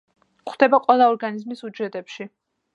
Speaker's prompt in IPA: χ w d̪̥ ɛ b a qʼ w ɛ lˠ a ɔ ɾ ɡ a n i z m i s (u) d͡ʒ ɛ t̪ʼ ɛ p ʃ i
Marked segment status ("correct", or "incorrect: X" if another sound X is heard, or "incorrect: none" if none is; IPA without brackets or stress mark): correct